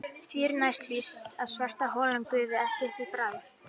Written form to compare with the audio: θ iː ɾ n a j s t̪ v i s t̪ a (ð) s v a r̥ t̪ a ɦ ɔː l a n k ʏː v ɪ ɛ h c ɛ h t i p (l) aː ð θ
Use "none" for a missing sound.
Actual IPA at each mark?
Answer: ð, ɾ

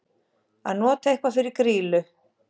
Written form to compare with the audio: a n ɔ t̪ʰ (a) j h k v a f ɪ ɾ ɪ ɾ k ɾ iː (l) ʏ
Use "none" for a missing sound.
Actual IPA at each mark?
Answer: e, l

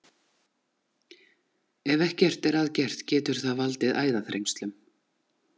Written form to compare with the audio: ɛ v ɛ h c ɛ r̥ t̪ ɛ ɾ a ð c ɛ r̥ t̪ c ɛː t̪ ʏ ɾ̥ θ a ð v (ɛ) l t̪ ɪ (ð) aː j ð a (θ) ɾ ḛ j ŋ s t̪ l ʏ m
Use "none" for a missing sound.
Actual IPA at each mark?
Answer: a, ð, θ

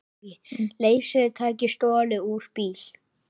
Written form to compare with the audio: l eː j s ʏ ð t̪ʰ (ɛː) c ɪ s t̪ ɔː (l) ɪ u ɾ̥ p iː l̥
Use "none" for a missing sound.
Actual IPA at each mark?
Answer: aː, l

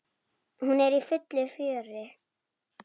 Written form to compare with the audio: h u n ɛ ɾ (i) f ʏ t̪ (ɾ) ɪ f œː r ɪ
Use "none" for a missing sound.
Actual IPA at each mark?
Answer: i, l

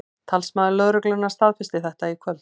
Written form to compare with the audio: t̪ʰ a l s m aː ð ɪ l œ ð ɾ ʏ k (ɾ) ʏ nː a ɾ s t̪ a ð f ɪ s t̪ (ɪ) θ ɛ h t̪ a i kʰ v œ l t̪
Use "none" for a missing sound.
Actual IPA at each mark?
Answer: l, ɪ

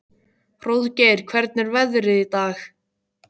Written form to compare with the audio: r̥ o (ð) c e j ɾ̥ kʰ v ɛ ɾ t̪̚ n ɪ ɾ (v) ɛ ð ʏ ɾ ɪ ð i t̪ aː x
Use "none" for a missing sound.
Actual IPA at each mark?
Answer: ð, v

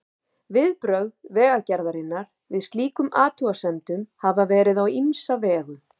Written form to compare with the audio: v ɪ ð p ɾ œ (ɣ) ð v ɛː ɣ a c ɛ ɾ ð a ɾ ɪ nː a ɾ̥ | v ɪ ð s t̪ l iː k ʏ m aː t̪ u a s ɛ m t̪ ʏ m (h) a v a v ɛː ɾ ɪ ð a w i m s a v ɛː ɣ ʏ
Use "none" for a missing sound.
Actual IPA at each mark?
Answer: ɣ, h

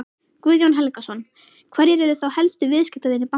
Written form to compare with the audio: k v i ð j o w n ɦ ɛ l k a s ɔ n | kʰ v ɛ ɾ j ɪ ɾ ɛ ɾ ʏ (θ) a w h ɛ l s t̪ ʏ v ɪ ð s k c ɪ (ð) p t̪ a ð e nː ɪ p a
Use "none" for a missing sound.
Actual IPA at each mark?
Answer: θ, none

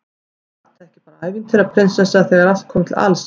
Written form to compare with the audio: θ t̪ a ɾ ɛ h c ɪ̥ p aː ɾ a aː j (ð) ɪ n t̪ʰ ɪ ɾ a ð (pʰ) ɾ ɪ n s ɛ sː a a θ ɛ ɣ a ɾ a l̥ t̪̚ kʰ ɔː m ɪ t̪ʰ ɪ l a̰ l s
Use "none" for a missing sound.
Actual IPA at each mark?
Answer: v, pʰ

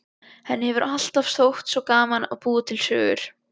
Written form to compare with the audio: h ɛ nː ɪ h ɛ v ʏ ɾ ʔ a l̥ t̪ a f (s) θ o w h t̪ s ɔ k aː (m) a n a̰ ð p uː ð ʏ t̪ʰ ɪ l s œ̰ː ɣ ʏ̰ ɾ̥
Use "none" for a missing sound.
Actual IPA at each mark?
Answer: s, m

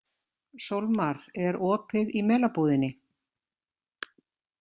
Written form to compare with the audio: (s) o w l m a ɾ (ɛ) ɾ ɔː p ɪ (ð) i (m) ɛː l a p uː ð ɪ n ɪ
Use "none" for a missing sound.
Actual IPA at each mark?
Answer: s, ɛ, ð, m

